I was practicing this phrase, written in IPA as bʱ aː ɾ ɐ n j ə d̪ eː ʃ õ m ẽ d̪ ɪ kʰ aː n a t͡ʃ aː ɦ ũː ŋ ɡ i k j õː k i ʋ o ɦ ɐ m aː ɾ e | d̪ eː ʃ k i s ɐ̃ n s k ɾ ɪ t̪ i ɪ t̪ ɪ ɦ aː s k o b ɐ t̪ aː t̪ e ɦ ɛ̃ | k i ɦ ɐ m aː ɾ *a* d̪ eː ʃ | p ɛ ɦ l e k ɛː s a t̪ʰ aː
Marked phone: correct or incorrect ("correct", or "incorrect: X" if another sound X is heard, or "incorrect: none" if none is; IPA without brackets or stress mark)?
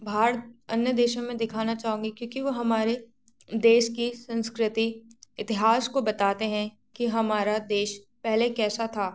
correct